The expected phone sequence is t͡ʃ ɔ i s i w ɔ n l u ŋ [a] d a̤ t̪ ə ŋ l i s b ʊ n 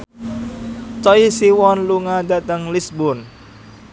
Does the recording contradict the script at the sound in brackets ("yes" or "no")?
no